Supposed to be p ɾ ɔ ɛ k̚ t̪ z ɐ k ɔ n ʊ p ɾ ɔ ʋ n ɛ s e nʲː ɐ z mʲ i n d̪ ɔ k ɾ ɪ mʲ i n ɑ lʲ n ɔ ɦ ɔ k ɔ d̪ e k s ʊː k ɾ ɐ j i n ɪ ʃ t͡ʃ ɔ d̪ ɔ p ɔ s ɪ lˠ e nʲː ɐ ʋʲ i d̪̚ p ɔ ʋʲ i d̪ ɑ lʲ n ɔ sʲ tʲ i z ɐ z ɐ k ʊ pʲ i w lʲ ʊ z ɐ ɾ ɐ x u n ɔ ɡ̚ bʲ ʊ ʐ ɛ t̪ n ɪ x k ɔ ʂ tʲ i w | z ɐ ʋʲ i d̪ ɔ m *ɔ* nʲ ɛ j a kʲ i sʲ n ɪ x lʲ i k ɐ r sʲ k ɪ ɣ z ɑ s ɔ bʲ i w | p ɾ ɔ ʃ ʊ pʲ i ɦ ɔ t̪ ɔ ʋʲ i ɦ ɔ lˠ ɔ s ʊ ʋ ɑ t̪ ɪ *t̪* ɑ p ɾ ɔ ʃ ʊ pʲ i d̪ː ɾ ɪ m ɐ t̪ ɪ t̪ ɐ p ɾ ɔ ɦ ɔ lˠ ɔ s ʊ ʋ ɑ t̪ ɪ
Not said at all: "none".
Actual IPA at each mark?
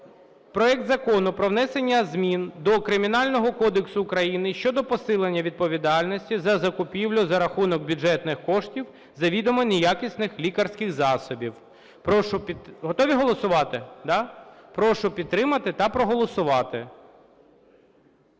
ɔ, d̪

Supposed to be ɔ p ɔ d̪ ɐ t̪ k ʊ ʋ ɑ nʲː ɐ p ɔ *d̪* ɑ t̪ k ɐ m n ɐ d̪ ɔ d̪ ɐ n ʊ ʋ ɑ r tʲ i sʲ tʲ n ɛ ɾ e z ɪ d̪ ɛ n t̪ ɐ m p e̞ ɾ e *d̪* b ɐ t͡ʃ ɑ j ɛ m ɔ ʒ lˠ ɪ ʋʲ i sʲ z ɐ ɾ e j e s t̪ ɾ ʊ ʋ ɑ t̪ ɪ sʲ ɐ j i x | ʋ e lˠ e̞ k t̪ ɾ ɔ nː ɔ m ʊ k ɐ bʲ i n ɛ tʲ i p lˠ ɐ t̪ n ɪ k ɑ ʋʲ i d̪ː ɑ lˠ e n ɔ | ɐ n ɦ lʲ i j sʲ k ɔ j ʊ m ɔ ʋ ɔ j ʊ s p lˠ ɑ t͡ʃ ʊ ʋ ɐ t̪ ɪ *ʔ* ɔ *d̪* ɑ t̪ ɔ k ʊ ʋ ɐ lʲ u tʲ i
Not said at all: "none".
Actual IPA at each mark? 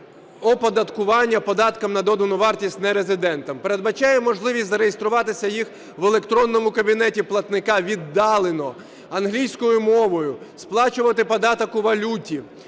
d̪, d̪, p, d̪

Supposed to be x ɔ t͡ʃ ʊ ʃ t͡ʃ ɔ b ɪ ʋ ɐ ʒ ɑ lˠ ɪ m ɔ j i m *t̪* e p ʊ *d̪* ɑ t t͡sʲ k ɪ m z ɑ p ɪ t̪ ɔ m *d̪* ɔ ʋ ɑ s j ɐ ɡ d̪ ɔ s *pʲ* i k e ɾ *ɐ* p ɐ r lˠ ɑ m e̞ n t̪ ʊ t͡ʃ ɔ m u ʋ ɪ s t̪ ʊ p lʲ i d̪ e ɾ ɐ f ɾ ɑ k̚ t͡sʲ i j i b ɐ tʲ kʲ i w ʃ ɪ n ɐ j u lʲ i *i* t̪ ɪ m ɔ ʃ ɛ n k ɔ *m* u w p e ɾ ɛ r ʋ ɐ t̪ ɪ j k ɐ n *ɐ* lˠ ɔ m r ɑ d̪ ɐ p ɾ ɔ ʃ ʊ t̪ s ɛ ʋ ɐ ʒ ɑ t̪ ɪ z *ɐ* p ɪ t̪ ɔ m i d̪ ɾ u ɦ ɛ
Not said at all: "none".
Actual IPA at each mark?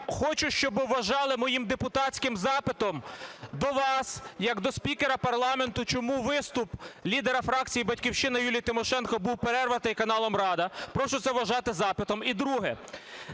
d̪, t̪, d̪, pʲ, ɐ, j, b, ɑ, ɑ

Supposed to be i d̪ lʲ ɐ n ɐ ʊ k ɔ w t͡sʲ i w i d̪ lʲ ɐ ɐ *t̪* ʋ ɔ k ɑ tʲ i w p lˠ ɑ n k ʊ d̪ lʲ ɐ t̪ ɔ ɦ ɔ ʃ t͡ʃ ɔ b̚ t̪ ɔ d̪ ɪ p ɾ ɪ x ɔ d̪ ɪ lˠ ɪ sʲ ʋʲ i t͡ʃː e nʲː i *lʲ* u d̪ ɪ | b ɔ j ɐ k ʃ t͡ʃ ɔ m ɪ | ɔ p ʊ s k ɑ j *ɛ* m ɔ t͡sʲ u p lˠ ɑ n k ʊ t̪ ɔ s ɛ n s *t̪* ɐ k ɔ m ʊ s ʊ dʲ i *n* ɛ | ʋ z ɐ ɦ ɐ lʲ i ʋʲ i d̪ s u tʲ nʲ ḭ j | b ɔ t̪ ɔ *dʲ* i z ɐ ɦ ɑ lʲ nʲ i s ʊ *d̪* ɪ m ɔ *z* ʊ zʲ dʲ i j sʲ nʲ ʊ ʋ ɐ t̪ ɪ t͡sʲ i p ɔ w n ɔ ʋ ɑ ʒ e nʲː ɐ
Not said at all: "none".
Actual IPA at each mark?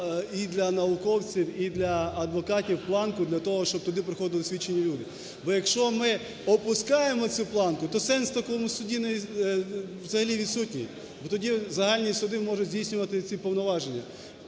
d̪, lʲ, e, t̪, n, dʲ, d̪, ʒ

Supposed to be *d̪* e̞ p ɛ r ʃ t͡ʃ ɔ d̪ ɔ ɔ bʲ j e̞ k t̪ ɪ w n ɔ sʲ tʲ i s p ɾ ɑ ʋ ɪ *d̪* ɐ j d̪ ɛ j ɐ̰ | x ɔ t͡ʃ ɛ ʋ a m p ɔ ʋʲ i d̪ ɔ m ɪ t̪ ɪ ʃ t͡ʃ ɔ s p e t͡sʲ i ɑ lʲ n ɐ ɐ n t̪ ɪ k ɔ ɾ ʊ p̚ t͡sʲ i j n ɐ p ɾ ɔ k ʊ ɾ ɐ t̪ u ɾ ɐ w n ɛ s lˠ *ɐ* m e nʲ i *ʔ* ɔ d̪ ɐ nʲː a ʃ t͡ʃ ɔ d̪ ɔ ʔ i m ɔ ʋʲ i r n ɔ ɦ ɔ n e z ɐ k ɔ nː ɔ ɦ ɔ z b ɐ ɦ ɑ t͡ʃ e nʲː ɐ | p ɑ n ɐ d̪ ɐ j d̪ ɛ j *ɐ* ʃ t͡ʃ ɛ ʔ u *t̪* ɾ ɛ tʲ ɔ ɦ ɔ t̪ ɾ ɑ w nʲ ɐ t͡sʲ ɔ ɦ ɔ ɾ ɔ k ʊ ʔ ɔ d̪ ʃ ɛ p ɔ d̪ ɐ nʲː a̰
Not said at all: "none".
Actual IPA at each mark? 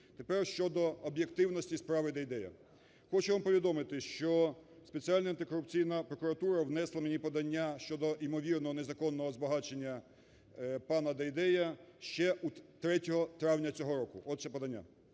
t̪, d̪, ɐ, p, ɐ, t̪

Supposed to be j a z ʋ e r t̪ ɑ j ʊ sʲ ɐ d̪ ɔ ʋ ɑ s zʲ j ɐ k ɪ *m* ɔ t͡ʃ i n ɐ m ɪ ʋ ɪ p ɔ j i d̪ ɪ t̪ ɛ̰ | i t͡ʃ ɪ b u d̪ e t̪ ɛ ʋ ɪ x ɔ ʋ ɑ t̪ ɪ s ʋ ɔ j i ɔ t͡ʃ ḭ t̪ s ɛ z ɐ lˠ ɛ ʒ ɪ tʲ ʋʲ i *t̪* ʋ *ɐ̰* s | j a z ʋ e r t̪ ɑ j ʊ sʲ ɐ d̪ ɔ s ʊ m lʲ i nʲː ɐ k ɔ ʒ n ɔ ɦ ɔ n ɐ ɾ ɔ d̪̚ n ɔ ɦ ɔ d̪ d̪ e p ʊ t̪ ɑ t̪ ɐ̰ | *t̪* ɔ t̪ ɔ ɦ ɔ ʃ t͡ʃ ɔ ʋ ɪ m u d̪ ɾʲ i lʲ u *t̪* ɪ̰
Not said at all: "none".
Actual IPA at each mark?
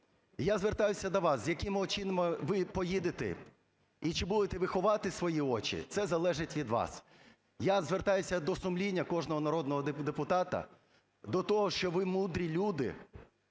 m, d̪, ɑ̰, d̪, d̪

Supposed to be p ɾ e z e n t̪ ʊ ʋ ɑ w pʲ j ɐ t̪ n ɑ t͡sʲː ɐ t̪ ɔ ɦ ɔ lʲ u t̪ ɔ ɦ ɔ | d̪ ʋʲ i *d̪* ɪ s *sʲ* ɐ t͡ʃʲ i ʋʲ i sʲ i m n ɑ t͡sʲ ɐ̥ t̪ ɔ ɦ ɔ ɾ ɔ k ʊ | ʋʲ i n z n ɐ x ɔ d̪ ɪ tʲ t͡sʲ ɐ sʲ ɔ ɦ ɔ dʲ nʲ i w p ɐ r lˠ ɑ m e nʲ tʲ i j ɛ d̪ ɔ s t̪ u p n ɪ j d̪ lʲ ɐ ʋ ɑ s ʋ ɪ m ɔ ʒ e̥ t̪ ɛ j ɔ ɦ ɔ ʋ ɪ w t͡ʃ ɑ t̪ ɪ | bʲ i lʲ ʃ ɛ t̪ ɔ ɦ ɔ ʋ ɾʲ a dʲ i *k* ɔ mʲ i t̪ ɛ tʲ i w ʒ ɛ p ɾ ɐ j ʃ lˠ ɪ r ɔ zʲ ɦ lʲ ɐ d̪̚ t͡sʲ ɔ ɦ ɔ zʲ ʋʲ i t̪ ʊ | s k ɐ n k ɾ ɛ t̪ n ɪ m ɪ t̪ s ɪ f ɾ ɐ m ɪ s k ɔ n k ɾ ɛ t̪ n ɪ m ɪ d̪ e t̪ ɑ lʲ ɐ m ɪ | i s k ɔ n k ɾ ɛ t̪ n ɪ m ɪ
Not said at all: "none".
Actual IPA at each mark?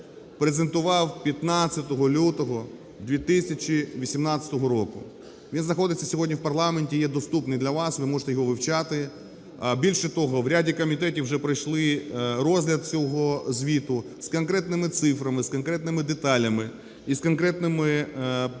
t̪, sʲ, k

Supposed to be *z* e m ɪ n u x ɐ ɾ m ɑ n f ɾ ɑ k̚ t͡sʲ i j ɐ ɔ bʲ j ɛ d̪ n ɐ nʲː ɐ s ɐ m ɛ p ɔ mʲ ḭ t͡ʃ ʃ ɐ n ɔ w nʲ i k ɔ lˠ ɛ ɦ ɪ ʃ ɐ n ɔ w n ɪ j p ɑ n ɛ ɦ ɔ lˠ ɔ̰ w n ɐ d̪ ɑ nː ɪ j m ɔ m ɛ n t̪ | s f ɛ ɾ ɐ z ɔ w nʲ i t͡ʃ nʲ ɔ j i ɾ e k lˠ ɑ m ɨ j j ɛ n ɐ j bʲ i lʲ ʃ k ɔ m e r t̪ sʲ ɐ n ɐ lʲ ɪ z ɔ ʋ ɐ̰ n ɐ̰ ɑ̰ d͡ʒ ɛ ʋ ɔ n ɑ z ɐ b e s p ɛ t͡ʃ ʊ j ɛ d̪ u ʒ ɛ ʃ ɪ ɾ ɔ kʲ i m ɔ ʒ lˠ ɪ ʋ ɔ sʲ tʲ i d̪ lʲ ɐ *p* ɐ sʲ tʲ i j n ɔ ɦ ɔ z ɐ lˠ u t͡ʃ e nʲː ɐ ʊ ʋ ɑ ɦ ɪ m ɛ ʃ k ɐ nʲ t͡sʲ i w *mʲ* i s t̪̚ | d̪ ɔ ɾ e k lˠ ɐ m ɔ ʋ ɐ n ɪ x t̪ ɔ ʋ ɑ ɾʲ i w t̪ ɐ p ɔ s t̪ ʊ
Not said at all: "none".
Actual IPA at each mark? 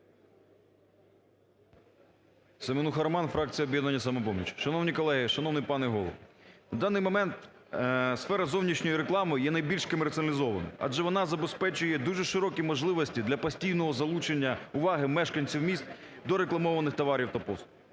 s, p, mʲ

